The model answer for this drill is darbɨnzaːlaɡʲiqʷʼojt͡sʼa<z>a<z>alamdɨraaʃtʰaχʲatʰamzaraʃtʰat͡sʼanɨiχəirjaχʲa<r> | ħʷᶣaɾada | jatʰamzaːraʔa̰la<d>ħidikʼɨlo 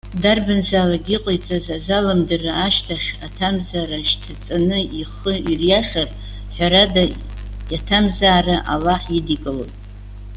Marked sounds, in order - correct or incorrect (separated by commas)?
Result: correct, correct, correct, incorrect